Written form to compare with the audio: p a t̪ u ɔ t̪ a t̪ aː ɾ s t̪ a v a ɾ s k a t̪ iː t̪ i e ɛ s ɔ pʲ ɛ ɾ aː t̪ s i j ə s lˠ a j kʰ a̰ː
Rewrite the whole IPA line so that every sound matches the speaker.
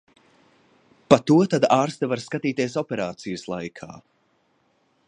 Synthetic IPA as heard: p a t̪ u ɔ t̪ a d̪ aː ɾ s t̪ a v a ɾ s k a t̪ iː t̪ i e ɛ s ɔ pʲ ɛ ɾ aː t̪ s i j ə s lˠ a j kʰ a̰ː